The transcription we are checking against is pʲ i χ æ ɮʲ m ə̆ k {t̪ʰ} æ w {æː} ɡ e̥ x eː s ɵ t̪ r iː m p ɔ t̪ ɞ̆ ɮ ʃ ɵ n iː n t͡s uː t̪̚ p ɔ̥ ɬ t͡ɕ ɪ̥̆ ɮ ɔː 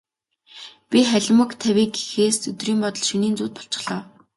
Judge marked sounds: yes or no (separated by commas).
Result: yes, no